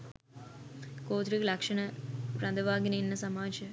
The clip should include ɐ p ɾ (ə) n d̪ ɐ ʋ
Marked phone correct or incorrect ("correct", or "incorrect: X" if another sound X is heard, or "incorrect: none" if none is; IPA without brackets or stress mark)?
incorrect: ɐ